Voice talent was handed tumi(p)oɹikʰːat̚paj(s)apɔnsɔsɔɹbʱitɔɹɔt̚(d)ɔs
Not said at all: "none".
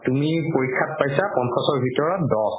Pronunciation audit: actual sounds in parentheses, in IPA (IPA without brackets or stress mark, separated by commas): p, s, d